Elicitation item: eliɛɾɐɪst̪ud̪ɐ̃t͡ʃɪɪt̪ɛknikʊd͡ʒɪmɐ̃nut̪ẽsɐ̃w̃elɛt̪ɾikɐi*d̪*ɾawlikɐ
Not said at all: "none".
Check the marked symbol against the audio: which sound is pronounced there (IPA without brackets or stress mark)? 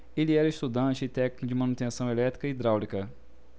d̪